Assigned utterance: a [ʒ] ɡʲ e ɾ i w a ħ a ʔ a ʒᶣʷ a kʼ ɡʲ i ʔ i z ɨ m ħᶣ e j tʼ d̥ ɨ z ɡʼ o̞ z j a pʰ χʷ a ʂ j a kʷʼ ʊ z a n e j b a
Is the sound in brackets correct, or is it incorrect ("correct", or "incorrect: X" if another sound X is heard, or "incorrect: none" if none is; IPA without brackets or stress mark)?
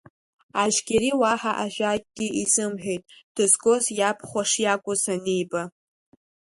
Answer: correct